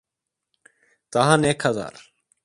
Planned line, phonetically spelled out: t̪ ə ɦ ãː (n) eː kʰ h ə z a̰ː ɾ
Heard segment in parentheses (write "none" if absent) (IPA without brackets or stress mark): n